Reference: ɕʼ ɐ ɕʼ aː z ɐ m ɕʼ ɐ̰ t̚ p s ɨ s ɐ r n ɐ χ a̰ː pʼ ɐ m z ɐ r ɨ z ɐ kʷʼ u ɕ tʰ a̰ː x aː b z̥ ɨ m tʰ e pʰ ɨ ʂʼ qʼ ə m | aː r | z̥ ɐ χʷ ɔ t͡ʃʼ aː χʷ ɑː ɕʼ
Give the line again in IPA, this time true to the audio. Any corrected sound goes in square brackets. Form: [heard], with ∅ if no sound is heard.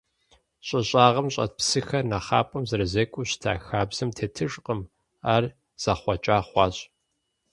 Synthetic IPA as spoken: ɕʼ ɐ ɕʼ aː [ʁ] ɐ m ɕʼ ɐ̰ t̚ p s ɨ [x] ɐ r n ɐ χ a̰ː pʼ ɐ m z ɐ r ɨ z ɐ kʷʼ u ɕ tʰ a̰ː x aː b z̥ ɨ m tʰ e [tʰ] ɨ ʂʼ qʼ ə m | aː r | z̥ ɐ χʷ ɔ t͡ʃʼ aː χʷ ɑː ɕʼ

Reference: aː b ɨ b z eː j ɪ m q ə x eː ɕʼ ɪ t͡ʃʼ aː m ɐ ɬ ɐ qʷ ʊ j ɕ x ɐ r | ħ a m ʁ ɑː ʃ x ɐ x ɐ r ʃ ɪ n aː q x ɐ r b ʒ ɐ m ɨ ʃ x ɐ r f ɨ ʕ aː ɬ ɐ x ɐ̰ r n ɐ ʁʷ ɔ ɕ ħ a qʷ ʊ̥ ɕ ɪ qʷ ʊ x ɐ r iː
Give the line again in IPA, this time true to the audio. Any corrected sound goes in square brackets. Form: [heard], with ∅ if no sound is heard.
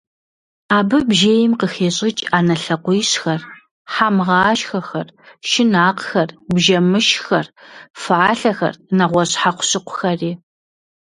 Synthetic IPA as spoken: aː b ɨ b [ʒ] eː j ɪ m q ə x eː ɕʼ ɪ t͡ʃʼ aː [n] ɐ ɬ ɐ qʷ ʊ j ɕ x ɐ r | ħ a m ʁ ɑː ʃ x ɐ x ɐ r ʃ ɪ n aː q x ɐ r b ʒ ɐ m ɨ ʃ x ɐ r f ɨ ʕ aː ɬ ɐ x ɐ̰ r n ɐ ʁʷ ɔ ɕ ħ a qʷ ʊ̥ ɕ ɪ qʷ ʊ x ɐ r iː

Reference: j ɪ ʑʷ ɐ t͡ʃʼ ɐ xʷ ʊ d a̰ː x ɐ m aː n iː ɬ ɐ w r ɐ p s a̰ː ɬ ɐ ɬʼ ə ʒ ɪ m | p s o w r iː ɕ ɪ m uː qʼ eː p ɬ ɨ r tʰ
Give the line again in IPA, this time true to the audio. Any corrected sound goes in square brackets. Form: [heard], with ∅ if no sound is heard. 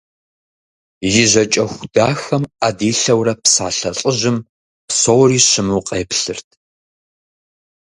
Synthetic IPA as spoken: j ɪ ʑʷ ɐ t͡ʃʼ ɐ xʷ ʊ d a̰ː x ɐ m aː [d] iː ɬ ɐ w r ɐ p s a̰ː ɬ ɐ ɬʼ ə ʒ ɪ m | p s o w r iː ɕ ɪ m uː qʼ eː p ɬ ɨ r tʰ

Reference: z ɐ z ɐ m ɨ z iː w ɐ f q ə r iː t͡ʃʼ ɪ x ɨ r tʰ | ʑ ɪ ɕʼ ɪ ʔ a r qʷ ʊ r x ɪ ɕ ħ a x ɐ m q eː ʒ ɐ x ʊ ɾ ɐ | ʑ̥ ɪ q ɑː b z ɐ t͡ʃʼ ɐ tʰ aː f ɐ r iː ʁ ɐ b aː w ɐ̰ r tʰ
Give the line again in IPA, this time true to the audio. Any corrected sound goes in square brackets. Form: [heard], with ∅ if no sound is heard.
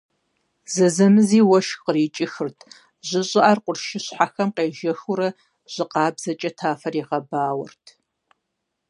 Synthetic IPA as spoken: z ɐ z ɐ m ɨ z iː w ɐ [ʃ] q ə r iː t͡ʃʼ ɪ x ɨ r tʰ | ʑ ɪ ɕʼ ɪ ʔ a r qʷ ʊ r [ʃ] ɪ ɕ ħ a x ɐ m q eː ʒ ɐ x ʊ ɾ ɐ | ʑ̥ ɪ q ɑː b z ɐ t͡ʃʼ ɐ tʰ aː f ɐ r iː ʁ ɐ b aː w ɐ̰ r tʰ

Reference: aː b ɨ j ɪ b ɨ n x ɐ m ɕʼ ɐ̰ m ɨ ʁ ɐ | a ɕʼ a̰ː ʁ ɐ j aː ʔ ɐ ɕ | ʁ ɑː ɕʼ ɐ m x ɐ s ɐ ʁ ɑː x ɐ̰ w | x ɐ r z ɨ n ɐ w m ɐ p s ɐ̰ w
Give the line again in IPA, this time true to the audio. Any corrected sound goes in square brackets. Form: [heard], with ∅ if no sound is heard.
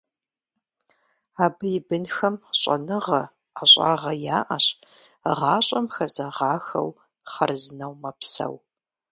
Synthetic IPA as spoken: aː b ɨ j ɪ b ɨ n x ɐ m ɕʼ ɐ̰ [n] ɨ ʁ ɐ | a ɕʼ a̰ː ʁ ɐ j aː ʔ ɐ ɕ | ʁ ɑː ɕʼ ɐ m x ɐ [z] ɐ ʁ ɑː x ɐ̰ w | [χ] ɐ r z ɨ n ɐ w m ɐ p s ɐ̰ w

